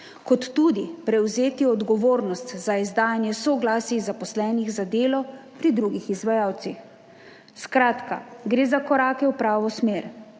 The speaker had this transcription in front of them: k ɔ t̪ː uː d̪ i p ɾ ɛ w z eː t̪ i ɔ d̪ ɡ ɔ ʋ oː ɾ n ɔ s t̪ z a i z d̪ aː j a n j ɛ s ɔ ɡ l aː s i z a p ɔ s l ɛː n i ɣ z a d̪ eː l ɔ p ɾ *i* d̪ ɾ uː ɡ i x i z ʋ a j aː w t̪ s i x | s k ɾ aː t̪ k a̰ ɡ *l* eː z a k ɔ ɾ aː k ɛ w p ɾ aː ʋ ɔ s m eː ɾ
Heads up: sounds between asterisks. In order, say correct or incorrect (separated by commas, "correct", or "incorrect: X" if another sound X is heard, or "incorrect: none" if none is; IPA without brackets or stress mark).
correct, incorrect: ɾ